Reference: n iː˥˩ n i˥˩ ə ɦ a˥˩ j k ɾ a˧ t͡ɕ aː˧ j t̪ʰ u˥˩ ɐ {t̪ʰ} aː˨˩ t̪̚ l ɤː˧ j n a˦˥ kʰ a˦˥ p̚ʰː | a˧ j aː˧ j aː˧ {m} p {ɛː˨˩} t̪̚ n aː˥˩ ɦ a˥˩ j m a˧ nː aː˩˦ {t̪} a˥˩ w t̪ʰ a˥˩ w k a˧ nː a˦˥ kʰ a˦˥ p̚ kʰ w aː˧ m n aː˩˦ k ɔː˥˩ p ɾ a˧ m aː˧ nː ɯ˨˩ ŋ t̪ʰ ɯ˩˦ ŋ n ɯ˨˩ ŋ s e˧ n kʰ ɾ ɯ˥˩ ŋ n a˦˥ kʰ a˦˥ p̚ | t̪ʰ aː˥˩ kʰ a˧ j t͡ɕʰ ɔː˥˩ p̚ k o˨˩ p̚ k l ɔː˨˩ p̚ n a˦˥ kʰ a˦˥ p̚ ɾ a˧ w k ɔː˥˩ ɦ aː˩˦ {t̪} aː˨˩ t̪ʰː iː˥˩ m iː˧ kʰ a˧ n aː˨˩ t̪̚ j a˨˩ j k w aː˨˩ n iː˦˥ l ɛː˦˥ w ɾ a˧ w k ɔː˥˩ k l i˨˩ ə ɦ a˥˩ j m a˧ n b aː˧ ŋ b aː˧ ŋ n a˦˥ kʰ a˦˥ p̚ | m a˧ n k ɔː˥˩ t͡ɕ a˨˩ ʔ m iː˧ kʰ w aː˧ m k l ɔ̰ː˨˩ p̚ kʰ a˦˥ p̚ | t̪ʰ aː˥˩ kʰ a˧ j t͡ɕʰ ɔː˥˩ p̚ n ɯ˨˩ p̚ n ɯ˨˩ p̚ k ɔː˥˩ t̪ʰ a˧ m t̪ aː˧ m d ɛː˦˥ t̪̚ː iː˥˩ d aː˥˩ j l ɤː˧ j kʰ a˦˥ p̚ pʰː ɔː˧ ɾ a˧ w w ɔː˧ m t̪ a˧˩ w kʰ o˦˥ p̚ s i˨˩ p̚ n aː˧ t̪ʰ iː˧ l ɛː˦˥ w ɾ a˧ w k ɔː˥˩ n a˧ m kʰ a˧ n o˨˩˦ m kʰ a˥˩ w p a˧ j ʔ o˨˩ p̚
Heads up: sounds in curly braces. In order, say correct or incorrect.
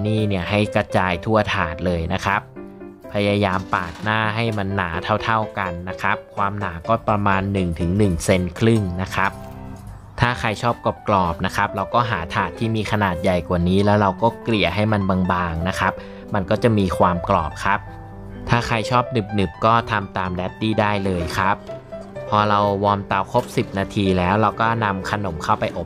correct, correct, incorrect, incorrect, incorrect

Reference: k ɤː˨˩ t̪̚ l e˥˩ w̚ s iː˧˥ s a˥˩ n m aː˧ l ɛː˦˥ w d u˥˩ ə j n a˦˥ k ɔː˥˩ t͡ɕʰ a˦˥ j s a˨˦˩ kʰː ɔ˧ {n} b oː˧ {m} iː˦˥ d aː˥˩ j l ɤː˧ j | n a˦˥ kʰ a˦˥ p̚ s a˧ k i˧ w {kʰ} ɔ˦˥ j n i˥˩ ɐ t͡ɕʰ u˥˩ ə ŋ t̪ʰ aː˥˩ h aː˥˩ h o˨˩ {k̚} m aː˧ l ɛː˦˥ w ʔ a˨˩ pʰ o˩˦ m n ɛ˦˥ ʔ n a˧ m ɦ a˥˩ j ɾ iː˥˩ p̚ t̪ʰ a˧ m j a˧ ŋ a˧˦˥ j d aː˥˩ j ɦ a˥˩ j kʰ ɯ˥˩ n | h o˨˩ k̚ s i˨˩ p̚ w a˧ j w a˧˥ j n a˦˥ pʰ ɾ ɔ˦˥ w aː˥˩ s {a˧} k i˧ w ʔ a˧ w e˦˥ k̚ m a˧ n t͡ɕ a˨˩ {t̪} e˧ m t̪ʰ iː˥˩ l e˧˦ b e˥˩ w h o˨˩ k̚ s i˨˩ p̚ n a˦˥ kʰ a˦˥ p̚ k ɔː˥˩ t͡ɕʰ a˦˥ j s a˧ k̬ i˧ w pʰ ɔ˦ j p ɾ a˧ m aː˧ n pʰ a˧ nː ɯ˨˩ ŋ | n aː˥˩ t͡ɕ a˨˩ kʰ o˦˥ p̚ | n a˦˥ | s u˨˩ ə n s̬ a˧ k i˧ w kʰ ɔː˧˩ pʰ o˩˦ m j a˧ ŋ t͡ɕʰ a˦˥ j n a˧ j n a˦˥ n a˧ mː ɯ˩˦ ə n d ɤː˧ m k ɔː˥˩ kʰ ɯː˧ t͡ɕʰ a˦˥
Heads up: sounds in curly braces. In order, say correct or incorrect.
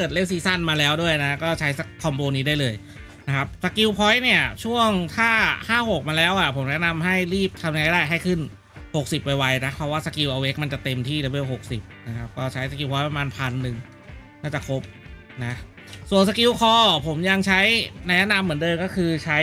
incorrect, incorrect, incorrect, correct, correct, correct

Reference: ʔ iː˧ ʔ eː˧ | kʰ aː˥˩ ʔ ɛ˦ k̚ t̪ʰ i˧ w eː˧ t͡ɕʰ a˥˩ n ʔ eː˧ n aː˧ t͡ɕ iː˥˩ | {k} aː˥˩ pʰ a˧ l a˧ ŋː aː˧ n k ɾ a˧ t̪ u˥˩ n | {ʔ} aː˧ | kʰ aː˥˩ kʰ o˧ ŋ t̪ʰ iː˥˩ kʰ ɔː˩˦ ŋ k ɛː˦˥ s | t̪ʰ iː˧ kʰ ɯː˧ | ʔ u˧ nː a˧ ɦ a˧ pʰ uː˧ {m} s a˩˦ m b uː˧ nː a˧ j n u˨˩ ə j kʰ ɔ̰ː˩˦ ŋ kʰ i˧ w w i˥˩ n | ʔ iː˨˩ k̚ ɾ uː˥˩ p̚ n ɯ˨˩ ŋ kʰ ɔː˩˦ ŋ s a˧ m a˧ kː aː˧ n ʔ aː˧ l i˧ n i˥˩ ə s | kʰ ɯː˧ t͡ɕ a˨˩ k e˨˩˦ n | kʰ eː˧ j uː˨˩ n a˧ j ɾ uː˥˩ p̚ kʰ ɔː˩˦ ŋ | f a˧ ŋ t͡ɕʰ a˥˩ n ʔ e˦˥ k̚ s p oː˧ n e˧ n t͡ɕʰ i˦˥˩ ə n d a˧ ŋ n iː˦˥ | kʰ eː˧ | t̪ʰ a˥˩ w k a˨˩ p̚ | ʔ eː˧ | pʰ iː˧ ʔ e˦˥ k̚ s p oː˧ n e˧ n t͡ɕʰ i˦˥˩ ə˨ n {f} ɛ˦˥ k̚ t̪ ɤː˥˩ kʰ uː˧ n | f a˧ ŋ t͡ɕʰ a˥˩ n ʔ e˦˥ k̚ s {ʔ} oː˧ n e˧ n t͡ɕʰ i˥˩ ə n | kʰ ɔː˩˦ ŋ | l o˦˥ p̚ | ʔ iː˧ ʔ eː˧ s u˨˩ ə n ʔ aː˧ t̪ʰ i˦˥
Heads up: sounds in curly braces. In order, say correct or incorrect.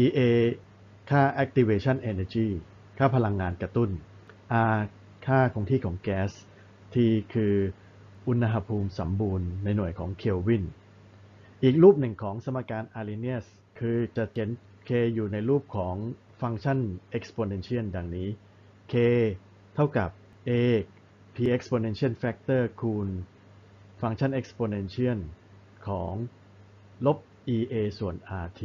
incorrect, correct, correct, correct, incorrect

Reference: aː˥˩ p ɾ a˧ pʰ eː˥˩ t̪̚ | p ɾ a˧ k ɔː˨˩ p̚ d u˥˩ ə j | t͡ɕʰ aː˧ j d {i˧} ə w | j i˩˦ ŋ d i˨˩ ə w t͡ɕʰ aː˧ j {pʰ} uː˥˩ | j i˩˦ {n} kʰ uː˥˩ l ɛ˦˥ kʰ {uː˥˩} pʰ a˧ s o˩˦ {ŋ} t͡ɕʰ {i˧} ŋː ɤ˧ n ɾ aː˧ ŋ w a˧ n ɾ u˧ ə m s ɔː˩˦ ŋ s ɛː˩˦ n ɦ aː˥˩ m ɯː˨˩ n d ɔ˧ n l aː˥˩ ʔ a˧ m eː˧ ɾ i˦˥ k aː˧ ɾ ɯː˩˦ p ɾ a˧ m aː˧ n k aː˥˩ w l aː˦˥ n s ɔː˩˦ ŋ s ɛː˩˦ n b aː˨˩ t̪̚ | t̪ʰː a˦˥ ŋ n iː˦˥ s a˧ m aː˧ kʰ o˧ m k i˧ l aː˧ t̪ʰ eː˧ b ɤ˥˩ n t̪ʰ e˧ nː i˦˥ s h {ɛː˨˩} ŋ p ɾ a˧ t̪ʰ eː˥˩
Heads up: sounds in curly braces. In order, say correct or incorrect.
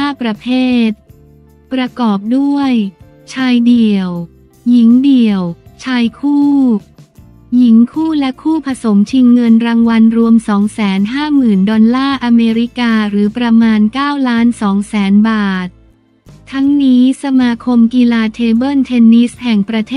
incorrect, incorrect, incorrect, correct, incorrect, correct, incorrect

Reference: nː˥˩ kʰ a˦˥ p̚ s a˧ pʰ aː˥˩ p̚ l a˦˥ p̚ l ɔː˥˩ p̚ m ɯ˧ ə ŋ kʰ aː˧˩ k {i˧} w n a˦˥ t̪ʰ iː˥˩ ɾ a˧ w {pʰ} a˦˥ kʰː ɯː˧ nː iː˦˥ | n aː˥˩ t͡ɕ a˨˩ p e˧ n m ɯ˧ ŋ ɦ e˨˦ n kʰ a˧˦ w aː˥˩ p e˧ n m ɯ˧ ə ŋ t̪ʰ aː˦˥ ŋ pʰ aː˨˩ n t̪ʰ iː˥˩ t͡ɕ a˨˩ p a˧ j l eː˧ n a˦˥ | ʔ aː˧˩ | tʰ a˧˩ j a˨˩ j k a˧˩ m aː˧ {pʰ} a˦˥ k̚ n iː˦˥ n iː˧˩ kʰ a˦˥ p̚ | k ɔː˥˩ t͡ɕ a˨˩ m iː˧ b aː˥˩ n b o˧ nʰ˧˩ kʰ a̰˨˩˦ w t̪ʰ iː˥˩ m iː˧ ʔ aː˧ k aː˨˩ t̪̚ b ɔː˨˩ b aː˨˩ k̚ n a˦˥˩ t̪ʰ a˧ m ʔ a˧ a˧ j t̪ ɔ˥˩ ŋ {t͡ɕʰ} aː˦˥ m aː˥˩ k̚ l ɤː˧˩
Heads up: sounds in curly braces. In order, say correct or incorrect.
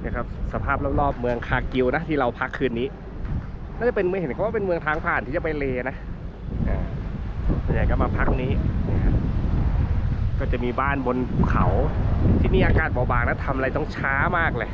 correct, correct, correct, correct

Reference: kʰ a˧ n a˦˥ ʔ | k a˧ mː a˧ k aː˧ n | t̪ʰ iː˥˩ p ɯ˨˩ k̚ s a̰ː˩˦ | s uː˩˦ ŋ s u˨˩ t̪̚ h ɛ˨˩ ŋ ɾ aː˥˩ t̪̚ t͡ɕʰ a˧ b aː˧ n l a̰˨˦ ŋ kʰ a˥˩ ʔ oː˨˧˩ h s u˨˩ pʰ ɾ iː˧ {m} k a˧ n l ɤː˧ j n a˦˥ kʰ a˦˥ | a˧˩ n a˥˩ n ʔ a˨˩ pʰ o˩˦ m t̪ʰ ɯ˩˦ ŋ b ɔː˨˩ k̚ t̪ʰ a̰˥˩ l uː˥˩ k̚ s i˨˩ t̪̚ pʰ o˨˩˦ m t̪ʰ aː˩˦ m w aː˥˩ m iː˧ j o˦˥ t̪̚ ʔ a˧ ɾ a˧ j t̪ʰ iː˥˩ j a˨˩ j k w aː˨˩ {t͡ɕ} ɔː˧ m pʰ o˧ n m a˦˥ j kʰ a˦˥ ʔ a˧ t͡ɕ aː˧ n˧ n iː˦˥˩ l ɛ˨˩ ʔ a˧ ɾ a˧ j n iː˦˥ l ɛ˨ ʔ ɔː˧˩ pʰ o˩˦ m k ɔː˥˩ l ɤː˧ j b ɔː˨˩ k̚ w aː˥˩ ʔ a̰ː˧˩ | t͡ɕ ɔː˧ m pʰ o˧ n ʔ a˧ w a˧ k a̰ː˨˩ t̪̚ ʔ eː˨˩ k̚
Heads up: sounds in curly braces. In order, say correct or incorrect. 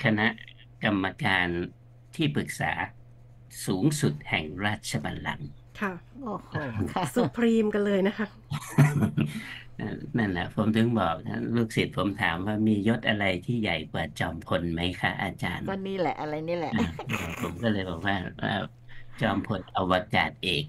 correct, correct

